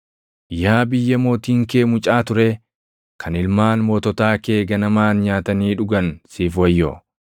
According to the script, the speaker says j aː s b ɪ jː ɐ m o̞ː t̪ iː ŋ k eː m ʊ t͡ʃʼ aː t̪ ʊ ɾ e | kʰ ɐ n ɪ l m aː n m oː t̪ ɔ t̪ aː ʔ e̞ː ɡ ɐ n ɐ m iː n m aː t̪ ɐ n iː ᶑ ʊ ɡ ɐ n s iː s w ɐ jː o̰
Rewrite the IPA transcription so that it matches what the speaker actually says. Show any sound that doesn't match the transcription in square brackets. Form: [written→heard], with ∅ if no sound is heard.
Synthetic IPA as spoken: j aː [s→∅] b ɪ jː ɐ m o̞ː t̪ iː ŋ k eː m ʊ t͡ʃʼ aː t̪ ʊ ɾ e | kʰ ɐ n ɪ l m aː n m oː t̪ ɔ t̪ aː [ʔ→k] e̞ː ɡ ɐ n ɐ m [iː→aː] n [m→ɲ] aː t̪ ɐ n iː ᶑ ʊ ɡ ɐ n s iː [s→f] w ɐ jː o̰

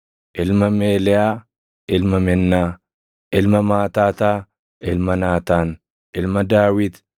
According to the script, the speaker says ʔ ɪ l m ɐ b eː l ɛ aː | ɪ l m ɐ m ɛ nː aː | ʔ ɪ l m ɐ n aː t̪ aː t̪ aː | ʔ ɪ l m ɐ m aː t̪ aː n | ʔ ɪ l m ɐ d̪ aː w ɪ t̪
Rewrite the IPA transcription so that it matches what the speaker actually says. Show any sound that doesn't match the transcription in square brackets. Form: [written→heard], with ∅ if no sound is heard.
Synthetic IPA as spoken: ʔ ɪ l m ɐ [b→m] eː l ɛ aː | ɪ l m ɐ m ɛ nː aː | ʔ ɪ l m ɐ [n→m] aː t̪ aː t̪ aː | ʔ ɪ l m ɐ [m→n] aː t̪ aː n | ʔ ɪ l m ɐ d̪ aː w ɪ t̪

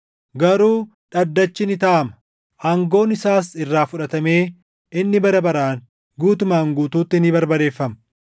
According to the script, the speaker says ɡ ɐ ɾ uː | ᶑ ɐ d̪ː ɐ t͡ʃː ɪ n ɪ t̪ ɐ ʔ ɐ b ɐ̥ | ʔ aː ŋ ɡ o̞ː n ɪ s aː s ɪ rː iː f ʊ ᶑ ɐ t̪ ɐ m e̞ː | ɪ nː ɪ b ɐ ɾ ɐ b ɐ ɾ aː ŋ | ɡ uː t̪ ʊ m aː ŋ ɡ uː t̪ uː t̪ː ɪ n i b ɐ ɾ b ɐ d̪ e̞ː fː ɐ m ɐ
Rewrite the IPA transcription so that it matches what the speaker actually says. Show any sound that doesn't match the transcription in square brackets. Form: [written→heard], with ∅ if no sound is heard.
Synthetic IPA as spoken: ɡ ɐ ɾ uː | ᶑ ɐ d̪ː ɐ t͡ʃː ɪ n ɪ t̪ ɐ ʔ ɐ [b→m] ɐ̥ | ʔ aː ŋ ɡ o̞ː n ɪ s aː s ɪ rː [iː→aː] f ʊ ᶑ ɐ t̪ ɐ m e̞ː | ɪ nː ɪ b ɐ ɾ ɐ b ɐ ɾ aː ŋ | ɡ uː t̪ ʊ m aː ŋ ɡ uː t̪ uː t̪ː ɪ n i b ɐ ɾ b ɐ d̪ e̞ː fː ɐ m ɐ

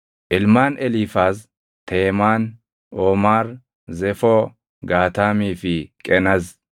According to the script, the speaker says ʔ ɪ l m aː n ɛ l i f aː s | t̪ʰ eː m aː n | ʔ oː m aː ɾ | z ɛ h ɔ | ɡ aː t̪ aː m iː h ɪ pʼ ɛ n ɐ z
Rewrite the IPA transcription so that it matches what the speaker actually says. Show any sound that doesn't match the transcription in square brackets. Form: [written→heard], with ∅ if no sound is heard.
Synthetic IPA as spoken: ʔ ɪ l m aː n ɛ l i f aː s | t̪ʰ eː m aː n | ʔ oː m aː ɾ | z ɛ [h→f] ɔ | ɡ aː t̪ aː m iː [h→f] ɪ [pʼ→kʼ] ɛ n ɐ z

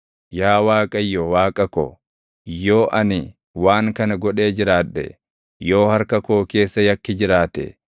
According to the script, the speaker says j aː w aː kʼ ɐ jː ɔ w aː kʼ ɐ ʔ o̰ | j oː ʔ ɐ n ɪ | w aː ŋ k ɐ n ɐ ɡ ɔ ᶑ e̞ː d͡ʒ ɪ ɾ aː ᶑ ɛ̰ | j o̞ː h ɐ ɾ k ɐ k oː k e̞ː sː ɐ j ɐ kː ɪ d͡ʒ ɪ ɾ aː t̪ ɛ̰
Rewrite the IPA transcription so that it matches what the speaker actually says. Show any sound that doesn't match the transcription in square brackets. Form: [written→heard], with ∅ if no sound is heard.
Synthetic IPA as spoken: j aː w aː kʼ ɐ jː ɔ w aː kʼ ɐ [ʔ→k] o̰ | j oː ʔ ɐ n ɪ | w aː ŋ k ɐ n ɐ ɡ ɔ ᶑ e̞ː d͡ʒ ɪ ɾ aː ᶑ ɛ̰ | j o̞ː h ɐ ɾ k ɐ k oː k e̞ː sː ɐ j ɐ kː ɪ d͡ʒ ɪ ɾ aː t̪ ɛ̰

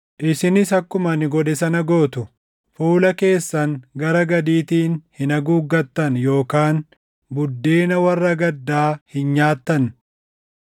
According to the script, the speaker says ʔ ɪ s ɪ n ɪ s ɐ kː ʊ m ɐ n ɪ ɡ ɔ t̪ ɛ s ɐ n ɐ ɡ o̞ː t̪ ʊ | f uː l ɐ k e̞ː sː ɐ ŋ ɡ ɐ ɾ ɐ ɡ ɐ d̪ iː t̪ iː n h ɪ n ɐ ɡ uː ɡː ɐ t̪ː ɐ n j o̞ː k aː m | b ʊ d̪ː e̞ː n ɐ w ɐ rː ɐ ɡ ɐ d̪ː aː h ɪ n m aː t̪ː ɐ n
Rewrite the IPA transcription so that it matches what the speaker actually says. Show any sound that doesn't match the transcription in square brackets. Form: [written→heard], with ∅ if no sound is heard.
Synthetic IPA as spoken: ʔ ɪ s ɪ n ɪ s ɐ kː ʊ m ɐ n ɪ ɡ ɔ [t̪→d̪] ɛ s ɐ n ɐ ɡ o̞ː t̪ ʊ | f uː l ɐ k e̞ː sː ɐ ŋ ɡ ɐ ɾ ɐ ɡ ɐ d̪ iː t̪ iː n h ɪ n ɐ ɡ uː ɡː ɐ t̪ː ɐ n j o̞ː k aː [m→n] | b ʊ d̪ː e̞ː n ɐ w ɐ rː ɐ ɡ ɐ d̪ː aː h ɪ n [m→ɲ] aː t̪ː ɐ n

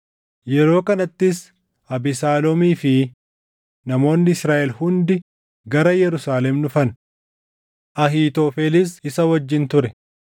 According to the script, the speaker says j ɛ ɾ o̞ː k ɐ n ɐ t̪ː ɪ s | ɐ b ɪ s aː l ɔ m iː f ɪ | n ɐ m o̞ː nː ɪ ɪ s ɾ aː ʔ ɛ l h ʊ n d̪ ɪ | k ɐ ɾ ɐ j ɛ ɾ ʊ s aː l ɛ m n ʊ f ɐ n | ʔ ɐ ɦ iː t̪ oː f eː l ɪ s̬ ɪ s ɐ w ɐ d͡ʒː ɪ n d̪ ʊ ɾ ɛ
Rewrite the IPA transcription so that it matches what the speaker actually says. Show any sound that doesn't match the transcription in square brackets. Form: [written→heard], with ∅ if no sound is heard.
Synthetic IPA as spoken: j ɛ ɾ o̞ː k ɐ n ɐ t̪ː ɪ s | ɐ b ɪ s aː l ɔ m iː f ɪ | n ɐ m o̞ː nː ɪ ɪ s ɾ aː ʔ ɛ l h ʊ n d̪ ɪ | [k→ɡ] ɐ ɾ ɐ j ɛ ɾ ʊ s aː l ɛ m n ʊ f ɐ n | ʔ ɐ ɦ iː t̪ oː f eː l ɪ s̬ ɪ s ɐ w ɐ d͡ʒː ɪ n [d̪→t̪] ʊ ɾ ɛ

